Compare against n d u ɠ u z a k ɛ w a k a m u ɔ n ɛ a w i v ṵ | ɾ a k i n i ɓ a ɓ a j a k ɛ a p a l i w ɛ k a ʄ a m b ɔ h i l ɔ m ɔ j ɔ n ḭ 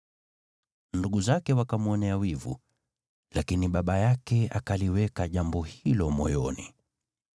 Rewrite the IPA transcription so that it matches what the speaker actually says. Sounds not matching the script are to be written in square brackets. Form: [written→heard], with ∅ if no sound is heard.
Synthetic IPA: n d u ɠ u z a k ɛ w a k a m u ɔ n ɛ a w i v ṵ | [ɾ→l] a k i n i ɓ a ɓ a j a k ɛ a [p→k] a l i w ɛ k a ʄ a m b ɔ h i l ɔ m ɔ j ɔ n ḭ